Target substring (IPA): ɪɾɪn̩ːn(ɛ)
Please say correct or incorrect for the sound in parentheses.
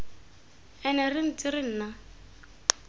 incorrect